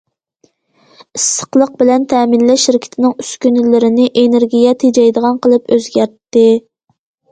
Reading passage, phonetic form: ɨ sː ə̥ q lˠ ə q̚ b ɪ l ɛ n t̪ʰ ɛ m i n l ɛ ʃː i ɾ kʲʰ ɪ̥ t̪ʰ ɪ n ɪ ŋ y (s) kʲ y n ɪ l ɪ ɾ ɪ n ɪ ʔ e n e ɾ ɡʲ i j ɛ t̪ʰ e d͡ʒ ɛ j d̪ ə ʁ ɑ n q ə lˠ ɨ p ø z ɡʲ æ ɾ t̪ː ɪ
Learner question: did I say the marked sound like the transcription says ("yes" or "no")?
yes